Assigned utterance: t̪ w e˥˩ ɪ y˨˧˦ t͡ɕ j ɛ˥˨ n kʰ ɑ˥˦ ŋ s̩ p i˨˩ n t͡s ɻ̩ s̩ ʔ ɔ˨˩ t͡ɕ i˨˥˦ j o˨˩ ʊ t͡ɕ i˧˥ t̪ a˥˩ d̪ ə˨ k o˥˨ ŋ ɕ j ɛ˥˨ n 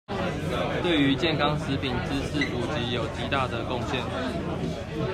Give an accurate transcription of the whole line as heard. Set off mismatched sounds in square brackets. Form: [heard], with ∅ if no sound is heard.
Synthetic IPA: t̪ w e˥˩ ɪ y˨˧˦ t͡ɕ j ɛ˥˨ n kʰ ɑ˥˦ ŋ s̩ p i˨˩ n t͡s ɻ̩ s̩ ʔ [u˨˩] t͡ɕ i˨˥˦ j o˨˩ ʊ t͡ɕ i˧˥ t̪ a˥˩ d̪ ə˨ k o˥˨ ŋ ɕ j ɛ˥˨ n

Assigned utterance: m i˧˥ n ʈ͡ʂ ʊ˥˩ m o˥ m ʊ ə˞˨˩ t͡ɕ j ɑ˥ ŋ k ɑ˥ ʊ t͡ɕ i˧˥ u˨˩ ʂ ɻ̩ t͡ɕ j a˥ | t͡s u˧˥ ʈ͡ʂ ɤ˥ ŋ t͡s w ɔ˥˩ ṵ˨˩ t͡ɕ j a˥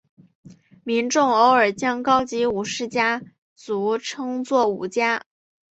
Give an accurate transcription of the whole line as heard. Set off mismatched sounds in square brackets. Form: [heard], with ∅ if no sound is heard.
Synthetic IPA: m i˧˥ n ʈ͡ʂ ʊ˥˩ [ŋ] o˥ [∅] ʊ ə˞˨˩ t͡ɕ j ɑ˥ ŋ k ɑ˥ ʊ t͡ɕ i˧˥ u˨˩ ʂ ɻ̩ t͡ɕ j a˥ | t͡s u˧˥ [ʈ͡ʂʰ] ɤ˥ ŋ t͡s w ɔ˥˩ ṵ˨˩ t͡ɕ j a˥

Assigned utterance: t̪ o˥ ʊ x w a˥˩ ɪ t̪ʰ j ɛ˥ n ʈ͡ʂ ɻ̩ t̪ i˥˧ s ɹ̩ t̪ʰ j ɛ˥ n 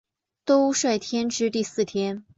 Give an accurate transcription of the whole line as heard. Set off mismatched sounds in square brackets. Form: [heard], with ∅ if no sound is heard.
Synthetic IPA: t̪ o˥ ʊ [ʂ] w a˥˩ ɪ t̪ʰ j ɛ˥ n ʈ͡ʂ ɻ̩ t̪ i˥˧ s ɹ̩ t̪ʰ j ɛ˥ n

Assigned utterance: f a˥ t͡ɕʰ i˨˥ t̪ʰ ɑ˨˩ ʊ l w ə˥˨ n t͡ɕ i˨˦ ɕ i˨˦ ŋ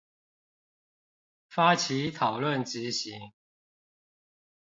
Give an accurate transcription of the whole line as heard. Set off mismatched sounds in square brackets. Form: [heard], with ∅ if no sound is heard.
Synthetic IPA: f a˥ t͡ɕʰ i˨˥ t̪ʰ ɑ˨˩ ʊ l w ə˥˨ n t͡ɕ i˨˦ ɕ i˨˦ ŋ

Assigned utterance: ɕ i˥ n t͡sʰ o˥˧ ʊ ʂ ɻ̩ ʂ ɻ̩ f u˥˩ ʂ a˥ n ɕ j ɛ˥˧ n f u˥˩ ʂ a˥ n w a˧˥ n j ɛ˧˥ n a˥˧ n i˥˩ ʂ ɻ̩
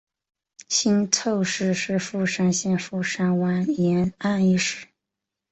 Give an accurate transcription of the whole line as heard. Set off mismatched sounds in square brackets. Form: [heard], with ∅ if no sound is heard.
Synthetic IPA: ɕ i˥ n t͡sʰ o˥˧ ʊ ʂ ɻ̩ ʂ ɻ̩ f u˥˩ ʂ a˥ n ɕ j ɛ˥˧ n f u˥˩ ʂ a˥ n w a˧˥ n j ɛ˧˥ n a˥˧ n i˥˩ ʂ ɻ̩

